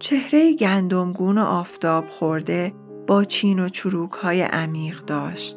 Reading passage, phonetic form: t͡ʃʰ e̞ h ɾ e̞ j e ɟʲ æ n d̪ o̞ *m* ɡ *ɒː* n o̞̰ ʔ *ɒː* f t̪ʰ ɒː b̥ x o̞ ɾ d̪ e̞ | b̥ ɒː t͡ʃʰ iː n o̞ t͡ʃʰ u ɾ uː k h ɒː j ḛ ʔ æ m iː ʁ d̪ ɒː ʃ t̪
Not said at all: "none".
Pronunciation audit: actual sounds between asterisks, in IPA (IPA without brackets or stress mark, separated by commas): m, uː, ɒː